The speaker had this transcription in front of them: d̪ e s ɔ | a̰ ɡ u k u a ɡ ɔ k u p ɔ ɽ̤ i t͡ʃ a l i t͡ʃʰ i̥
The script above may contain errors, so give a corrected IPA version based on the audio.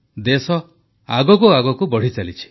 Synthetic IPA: d̪ e s ɔ | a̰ ɡ ɔ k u a ɡ ɔ k u b ɔ ɽ̤ i t͡ʃ a l i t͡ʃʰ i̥